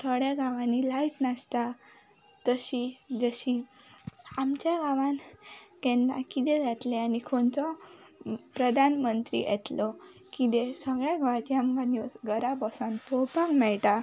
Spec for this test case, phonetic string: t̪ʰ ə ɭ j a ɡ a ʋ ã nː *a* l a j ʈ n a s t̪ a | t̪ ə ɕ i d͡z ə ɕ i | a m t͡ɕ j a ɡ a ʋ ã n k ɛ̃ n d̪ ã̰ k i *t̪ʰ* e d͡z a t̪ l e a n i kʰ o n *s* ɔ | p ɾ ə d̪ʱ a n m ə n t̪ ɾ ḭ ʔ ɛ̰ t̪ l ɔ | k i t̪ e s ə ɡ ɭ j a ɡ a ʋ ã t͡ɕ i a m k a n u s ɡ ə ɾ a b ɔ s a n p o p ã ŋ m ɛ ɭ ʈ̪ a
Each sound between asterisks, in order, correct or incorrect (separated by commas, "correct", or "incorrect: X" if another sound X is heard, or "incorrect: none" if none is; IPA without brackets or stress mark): incorrect: i, incorrect: t̪, incorrect: t͡s